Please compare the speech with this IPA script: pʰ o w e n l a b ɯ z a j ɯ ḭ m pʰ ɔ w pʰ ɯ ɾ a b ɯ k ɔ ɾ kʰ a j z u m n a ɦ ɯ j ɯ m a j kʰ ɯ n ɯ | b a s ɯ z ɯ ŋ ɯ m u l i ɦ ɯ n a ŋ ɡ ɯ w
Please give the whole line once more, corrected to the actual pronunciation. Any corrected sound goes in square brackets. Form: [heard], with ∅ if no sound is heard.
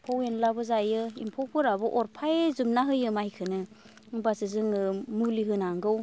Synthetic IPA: pʰ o w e n l a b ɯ z a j ɯ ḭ m pʰ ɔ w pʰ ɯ ɾ a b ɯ [ʔ] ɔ ɾ [pʰ] a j z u m n a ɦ ɯ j ɯ m a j kʰ ɯ n ɯ | b a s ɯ z ɯ ŋ ɯ m u l i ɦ ɯ n a ŋ ɡ ɯ w